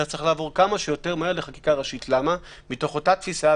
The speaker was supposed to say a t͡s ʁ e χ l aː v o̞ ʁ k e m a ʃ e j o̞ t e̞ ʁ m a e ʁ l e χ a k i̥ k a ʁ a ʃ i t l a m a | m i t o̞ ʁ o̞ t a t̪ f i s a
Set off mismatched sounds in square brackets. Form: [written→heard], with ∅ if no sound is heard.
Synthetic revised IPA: a t͡s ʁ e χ l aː v o̞ ʁ k [e→a] m a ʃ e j o̞ t e̞ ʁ m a e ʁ l e χ a k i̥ k a ʁ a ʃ i t l a m a | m i t o̞ [ʁ→χ] o̞ t a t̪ f i s a